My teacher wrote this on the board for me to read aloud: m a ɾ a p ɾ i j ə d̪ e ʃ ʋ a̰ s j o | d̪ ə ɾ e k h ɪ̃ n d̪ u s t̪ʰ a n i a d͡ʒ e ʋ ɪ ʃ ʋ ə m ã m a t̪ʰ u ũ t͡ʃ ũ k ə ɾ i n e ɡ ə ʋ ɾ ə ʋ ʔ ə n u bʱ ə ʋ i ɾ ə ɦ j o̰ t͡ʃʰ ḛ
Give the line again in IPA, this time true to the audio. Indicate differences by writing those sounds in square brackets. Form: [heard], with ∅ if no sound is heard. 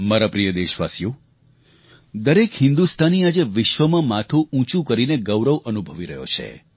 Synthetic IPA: m a ɾ a p ɾ i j ə d̪ e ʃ ʋ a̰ s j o | d̪ ə ɾ e k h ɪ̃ n d̪ u s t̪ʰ a n i a d͡ʒ e ʋ ɪ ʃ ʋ ə m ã m a t̪ʰ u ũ t͡ʃ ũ k ə ɾ i n e ɡ ə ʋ ɾ ə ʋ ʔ ə n u bʱ ə ʋ i ɾ ə ɦ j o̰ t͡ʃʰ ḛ

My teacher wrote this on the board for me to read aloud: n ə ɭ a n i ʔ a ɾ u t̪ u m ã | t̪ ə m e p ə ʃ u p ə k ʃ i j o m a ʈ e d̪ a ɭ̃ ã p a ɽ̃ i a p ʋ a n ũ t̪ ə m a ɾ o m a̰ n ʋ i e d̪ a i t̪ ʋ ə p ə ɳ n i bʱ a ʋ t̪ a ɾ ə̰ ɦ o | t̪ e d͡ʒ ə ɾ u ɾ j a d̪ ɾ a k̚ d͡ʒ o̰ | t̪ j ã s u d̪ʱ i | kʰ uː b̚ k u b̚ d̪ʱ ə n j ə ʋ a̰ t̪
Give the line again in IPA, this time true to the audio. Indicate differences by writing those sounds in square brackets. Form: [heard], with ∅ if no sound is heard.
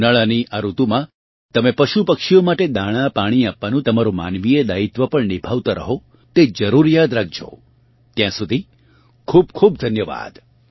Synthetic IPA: n ə ɭ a n i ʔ a ɾ u t̪ u m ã | t̪ ə m e p ə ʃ u p ə k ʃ i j o m a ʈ e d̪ a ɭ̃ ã p a ɽ̃ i a p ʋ a n ũ t̪ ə m a ɾ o m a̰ n ʋ i e d̪ a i t̪ ʋ ə p ə ɳ n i bʱ a ʋ t̪ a ɾ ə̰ ɦ o | t̪ e d͡ʒ ə ɾ u ɾ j a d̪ ɾ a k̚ d͡ʒ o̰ | t̪ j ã s u d̪ʱ i | kʰ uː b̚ [kʰ] u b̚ d̪ʱ ə n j ə ʋ a̰ [d̪]

